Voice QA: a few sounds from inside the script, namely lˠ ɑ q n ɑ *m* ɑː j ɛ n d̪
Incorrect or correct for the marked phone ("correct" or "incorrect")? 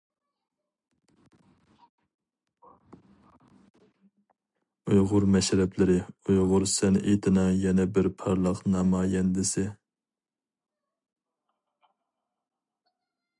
correct